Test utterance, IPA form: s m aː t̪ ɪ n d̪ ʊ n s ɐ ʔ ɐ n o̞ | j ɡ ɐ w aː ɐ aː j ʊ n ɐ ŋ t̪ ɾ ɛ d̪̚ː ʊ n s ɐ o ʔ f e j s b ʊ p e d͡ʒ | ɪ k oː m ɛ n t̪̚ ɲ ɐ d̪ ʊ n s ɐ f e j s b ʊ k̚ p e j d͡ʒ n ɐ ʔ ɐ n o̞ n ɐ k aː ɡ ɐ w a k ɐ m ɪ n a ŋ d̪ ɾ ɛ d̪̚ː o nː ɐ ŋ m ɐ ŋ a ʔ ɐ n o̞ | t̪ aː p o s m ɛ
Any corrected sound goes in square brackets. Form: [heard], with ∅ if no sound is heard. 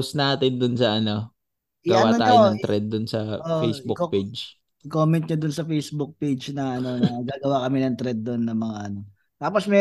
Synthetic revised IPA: s [n] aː t̪ ɪ n d̪ ʊ n s ɐ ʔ ɐ n o̞ | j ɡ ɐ w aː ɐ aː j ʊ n ɐ ŋ t̪ ɾ ɛ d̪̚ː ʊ n s ɐ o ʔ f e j s b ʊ p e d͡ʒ | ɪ k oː m ɛ n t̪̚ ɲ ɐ d̪ ʊ n s ɐ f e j s b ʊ k̚ p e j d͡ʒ n ɐ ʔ ɐ n o̞ n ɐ [ɡ] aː ɡ ɐ w a k ɐ m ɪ n [ɐ] ŋ [t̪] ɾ ɛ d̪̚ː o nː ɐ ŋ m ɐ ŋ a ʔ ɐ n o̞ | t̪ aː p o s m ɛ